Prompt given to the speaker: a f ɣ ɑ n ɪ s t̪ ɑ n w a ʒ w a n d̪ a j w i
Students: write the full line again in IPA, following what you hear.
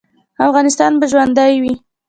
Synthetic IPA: a f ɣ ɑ n ɪ s t̪ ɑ n b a ʒ w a n d̪ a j w i